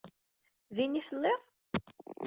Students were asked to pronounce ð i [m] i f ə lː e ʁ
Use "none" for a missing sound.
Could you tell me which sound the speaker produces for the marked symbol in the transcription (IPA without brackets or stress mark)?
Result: n